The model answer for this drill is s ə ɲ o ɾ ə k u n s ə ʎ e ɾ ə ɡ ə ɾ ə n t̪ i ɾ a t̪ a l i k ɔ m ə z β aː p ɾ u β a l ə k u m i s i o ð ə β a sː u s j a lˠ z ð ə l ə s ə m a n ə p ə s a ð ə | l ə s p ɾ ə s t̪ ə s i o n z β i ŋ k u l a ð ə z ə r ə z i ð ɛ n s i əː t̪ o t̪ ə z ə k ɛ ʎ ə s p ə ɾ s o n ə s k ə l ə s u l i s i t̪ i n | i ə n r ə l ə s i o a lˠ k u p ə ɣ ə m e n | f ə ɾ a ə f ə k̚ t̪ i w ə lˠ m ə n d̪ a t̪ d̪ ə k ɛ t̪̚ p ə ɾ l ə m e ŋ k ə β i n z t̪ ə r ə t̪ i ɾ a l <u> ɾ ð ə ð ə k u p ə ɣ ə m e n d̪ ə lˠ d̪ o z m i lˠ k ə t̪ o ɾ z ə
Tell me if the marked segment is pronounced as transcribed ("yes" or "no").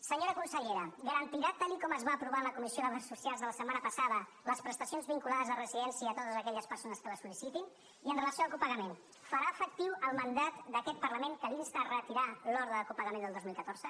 no